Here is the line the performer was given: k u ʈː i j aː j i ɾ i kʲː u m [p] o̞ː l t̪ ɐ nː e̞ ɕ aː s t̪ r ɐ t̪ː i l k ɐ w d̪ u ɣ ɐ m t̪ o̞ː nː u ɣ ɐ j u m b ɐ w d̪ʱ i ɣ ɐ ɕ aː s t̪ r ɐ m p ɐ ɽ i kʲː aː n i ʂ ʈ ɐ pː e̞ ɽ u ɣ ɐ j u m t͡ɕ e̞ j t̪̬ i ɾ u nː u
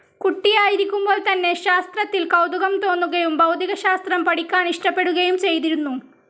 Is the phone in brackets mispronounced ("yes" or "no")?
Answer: yes